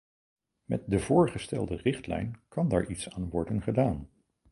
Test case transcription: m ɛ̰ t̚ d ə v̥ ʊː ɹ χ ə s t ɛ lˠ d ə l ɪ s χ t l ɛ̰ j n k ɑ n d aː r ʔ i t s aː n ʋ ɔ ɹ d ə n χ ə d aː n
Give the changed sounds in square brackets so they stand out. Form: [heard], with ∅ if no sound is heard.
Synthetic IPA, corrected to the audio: m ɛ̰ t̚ d ə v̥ ʊː ɹ χ ə s t ɛ lˠ d ə [r] ɪ [∅] χ t l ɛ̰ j n k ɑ n d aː [ɹ] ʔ i t s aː n ʋ ɔ ɹ d ə n χ ə d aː n

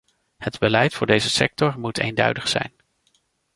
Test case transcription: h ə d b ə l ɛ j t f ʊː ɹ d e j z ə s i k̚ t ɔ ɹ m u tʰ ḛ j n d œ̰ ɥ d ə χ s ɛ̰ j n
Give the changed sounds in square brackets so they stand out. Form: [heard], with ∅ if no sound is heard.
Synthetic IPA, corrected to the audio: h ə d b ə l ɛ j t f ʊː ɹ d e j z ə s [ɛ] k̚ t ɔ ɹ m u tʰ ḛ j n d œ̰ ɥ d ə χ s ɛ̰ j n

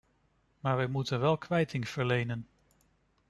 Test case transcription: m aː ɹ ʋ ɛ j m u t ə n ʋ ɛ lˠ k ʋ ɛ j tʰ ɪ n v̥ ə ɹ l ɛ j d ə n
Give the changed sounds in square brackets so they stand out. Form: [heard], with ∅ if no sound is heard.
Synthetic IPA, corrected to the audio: m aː ɹ ʋ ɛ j m u t ə n ʋ ɛ lˠ k ʋ ɛ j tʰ ɪ [ŋ] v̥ ə ɹ l [e] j [n] ə n

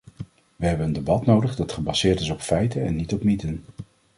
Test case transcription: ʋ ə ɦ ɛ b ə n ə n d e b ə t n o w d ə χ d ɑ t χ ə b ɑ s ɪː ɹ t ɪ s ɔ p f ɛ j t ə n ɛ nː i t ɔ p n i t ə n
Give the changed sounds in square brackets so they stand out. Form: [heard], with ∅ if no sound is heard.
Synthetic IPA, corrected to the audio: ʋ ə ɦ ɛ b ə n ə n d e b [ɑ] t n o w d ə χ d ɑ t χ ə b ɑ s ɪː ɹ t ɪ s ɔ p f ɛ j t ə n ɛ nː i t ɔ p [m] i t ə n

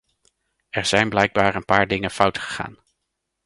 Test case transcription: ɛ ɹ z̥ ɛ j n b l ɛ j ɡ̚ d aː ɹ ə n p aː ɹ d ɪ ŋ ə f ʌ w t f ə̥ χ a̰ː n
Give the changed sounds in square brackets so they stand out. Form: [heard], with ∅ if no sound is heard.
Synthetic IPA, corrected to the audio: ɛ ɹ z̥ ɛ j n b l ɛ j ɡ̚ [b] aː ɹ ə n p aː ɹ d ɪ ŋ ə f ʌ w t [χ] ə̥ χ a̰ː n

